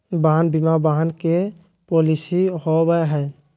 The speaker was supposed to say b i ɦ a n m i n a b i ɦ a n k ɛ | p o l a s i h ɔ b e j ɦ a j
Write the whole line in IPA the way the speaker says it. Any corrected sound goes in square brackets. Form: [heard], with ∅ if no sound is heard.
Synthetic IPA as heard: b [a] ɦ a n [b] i [m] a b [a] ɦ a n k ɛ | p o l [i] s i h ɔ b [a] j ɦ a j